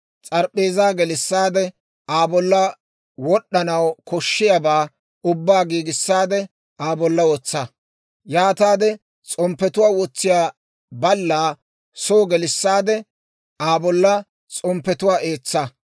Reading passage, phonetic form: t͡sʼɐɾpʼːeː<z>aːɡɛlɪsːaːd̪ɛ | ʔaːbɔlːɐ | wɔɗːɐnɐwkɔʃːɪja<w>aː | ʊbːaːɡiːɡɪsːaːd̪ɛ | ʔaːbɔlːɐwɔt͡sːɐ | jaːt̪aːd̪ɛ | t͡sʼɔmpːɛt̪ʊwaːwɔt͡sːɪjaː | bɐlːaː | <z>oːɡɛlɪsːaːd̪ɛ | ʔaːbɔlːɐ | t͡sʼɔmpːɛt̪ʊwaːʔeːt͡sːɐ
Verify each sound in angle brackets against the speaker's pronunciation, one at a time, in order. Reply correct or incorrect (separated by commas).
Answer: correct, incorrect, incorrect